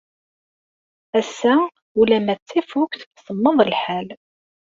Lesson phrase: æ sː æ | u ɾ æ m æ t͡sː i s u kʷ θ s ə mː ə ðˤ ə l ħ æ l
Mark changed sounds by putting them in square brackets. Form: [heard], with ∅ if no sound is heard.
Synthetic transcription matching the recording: æ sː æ | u [l] æ m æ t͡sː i [f] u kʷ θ s ə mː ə ðˤ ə l ħ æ l